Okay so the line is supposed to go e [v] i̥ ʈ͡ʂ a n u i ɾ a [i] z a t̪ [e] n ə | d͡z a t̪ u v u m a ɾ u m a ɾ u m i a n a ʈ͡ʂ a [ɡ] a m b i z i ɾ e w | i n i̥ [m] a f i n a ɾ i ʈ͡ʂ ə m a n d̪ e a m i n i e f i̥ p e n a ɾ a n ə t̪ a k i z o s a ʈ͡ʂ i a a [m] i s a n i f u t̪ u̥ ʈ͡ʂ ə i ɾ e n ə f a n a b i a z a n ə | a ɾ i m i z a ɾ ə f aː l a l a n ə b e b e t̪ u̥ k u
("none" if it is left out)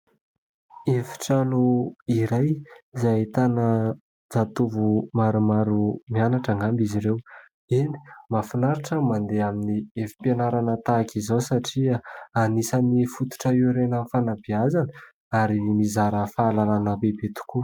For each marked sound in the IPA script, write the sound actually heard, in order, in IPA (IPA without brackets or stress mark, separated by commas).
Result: f, j, a, ŋ, m, n